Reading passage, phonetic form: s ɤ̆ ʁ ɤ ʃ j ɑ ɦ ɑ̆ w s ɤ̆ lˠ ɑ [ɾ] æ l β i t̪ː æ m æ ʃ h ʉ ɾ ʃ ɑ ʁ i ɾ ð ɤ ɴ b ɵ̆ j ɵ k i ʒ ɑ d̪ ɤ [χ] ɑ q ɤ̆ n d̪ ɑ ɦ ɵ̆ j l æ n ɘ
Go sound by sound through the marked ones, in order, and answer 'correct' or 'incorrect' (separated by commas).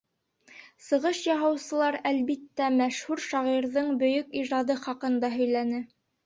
correct, correct